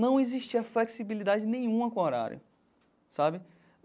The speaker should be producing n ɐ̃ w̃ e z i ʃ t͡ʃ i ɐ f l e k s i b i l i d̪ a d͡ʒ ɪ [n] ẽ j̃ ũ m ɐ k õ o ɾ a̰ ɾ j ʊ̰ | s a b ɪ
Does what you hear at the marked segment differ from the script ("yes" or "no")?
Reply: no